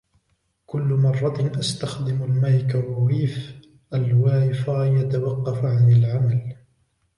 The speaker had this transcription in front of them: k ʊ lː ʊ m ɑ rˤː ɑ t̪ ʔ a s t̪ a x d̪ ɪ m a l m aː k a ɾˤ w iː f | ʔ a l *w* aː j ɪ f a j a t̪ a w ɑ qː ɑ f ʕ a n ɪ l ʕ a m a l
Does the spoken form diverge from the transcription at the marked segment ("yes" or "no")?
no